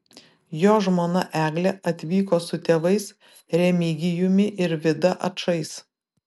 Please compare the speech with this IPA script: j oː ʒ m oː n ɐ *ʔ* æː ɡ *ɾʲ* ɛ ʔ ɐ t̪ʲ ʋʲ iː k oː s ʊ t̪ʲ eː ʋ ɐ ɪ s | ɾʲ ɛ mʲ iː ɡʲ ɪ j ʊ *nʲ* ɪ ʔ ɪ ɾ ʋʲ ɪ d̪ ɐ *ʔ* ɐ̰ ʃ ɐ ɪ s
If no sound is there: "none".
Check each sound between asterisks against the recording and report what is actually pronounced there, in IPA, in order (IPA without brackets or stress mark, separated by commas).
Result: ʔ, lʲ, mʲ, ʔ